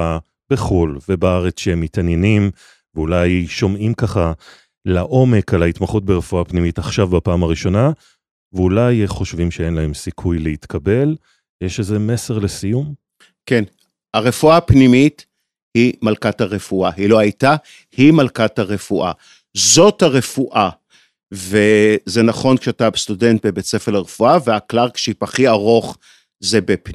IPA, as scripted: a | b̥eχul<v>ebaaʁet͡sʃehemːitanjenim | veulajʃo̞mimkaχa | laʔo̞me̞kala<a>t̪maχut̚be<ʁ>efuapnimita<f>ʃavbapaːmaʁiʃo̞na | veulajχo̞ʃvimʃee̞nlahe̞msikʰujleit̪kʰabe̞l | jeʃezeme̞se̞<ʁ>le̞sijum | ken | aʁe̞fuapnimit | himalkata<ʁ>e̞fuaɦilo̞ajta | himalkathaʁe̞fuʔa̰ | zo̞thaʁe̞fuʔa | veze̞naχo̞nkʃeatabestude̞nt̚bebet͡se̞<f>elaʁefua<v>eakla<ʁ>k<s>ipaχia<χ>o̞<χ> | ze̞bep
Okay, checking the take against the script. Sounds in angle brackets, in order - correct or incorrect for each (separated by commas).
correct, incorrect, correct, incorrect, correct, correct, correct, correct, correct, incorrect, incorrect, correct